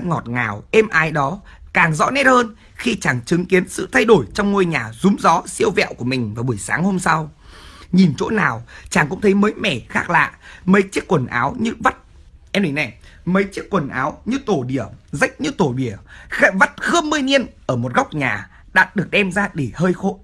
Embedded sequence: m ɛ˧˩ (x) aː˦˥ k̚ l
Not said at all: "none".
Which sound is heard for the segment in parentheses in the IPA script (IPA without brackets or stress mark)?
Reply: x